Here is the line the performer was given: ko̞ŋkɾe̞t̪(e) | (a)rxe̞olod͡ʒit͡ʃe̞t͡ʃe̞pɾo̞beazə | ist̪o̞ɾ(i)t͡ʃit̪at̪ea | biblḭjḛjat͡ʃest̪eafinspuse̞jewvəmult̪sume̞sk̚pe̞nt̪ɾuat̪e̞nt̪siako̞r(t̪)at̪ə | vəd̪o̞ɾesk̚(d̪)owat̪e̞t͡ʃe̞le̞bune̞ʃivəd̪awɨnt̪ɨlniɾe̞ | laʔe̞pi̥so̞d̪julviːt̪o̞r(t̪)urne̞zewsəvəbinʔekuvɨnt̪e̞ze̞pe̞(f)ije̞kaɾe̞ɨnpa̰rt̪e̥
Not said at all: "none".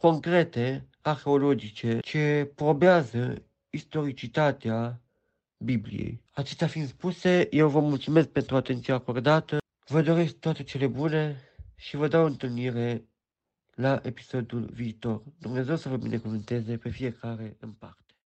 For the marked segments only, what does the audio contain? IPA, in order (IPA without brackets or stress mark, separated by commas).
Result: e, a, i, d̪, t̪, d̪, f